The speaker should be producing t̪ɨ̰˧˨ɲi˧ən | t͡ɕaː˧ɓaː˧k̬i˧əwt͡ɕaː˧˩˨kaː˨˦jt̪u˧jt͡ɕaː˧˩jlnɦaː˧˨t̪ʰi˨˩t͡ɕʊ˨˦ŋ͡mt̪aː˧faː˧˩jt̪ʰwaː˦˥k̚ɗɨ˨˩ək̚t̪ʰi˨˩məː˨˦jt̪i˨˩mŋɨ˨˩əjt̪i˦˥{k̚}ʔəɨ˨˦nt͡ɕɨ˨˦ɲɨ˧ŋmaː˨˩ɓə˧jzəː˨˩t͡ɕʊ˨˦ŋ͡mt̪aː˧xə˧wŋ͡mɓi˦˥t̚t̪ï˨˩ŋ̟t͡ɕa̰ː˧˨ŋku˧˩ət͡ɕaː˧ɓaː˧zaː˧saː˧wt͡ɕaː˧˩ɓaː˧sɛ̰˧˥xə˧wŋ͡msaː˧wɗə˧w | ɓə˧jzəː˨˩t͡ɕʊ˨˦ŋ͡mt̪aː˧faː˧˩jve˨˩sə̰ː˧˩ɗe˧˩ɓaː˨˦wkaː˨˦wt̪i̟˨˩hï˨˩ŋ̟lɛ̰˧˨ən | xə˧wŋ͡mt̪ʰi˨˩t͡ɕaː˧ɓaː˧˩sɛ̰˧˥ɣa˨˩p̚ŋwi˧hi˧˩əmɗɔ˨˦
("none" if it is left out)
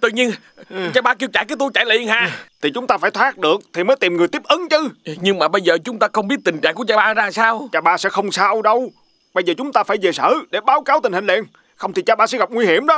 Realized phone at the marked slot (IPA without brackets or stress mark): p̚